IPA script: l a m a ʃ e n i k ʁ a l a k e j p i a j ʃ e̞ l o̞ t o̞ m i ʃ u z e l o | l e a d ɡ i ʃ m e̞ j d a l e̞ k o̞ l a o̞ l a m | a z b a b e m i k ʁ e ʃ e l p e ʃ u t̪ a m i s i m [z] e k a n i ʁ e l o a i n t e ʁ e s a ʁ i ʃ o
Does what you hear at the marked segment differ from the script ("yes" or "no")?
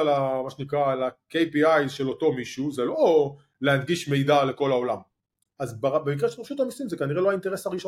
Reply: no